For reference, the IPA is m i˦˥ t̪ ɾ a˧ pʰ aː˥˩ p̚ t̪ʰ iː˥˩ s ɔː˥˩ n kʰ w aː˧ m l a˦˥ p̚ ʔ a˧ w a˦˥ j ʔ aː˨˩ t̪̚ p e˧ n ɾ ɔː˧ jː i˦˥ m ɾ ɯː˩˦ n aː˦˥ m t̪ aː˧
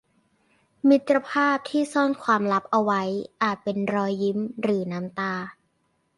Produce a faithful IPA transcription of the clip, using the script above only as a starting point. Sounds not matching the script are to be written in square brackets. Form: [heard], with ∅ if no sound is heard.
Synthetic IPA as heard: m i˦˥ t̪ ɾ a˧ pʰ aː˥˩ p̚ t̪ʰ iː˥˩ s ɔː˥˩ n kʰ w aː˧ m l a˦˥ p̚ ʔ a˧ w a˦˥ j ʔ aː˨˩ t̪̚ p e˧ n ɾ ɔː˧ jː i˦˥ m ɾ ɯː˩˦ n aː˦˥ m t̪ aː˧